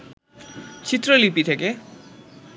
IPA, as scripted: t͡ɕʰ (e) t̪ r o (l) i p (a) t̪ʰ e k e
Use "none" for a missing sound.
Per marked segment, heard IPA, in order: i, l, i

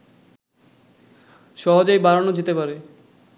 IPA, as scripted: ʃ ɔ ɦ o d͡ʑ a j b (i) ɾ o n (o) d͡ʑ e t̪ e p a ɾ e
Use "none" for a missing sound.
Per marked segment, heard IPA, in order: a, o

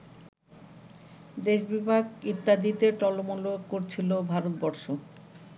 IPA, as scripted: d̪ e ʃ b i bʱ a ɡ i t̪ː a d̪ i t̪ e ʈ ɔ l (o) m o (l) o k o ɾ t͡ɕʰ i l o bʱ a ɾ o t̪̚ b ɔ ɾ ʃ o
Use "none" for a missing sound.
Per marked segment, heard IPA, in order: o, l

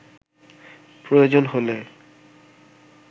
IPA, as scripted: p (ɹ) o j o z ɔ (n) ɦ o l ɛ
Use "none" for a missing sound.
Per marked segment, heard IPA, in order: ɹ, n

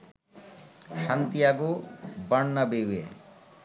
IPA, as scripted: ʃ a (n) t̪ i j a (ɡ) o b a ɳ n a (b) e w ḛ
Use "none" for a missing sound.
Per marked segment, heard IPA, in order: n, ɡ, b

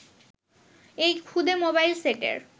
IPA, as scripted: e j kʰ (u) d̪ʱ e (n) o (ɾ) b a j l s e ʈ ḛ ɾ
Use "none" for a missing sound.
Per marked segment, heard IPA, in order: u, m, none

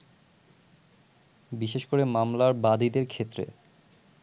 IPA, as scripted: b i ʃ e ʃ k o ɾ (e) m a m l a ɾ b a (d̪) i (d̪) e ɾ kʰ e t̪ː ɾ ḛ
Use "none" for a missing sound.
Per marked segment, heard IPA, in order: e, d̪, d̪

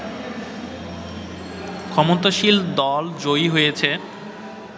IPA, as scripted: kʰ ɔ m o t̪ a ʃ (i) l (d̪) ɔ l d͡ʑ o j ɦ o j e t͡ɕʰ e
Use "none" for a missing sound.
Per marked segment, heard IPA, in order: i, d̪

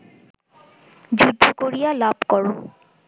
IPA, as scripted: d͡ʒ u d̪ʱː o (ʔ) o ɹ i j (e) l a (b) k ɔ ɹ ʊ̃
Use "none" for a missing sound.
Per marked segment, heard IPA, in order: k, a, b

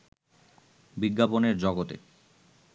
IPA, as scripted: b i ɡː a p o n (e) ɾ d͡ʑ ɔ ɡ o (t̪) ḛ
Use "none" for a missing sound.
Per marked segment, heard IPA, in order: e, t̪

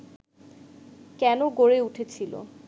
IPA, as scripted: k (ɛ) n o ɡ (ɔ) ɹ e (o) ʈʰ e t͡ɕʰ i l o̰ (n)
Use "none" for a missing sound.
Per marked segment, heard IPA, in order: ɛ, o, u, none

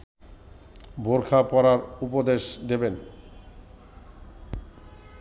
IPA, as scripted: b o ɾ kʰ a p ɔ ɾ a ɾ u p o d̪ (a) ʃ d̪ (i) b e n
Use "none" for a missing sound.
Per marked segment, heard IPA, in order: e, e

